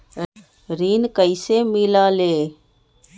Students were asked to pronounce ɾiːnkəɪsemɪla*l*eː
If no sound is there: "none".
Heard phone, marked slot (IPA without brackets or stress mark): l